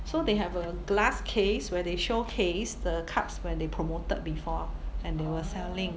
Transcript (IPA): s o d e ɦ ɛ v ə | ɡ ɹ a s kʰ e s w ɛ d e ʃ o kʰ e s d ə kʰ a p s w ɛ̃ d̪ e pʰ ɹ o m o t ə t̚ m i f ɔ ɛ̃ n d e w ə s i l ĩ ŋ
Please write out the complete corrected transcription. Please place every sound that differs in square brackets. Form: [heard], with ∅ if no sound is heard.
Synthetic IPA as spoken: s o d e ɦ ɛ v ə | ɡ [l] a s kʰ e s w ɛ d e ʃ o kʰ e s d ə kʰ a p s w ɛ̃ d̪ e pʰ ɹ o m o t ə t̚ [b] i f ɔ ɛ̃ n d e w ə s [ɛ] l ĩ ŋ